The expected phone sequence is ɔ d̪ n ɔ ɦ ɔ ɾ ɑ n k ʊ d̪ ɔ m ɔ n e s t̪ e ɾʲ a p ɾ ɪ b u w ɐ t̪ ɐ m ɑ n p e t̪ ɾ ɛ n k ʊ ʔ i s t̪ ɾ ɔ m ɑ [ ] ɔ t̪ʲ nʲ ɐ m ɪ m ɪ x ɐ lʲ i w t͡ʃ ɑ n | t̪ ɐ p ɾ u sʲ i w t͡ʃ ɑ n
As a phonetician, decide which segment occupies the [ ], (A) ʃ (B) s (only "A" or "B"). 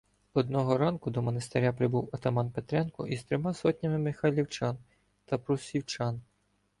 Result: B